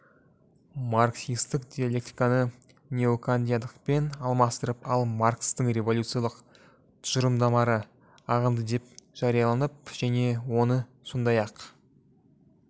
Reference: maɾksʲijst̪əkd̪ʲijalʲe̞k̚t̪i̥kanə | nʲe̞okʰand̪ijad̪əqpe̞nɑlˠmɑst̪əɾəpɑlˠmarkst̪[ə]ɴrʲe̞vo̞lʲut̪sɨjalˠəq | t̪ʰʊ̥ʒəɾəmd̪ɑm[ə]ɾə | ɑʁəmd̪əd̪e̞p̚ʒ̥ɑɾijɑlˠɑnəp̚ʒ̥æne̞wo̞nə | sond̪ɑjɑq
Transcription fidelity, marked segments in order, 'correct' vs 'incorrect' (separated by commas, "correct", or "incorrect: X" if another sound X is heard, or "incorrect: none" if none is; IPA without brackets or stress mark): correct, incorrect: ɑ